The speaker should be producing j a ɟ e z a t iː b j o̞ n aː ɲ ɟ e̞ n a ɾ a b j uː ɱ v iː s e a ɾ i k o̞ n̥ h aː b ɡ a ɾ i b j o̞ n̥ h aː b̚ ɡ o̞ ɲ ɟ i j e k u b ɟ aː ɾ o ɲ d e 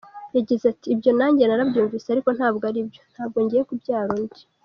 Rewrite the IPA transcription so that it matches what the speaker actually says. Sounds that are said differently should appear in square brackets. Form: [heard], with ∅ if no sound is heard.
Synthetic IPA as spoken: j a ɟ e z a t iː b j o̞ n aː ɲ ɟ e̞ n a ɾ a b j uː ɱ v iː s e a ɾ i k o̞ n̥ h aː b ɡ a ɾ i b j o̞ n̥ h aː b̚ ɡ o̞ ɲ ɟ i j e k u b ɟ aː ɾ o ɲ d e